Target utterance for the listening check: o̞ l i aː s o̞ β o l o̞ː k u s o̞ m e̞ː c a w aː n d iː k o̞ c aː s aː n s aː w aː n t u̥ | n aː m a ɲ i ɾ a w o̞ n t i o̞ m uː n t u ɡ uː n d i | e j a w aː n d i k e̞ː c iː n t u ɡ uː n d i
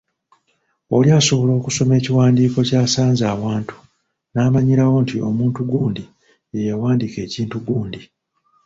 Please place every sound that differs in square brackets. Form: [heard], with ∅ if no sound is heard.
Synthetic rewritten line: o̞ l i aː s o̞ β o l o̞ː k u s o̞ m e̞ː c [i] w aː n d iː k o̞ c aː s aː n [z] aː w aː n t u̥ | n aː m a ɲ i ɾ a w o̞ n t i o̞ m uː n t u ɡ uː n d i | e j a w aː n d i k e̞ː c iː n t u ɡ uː n d i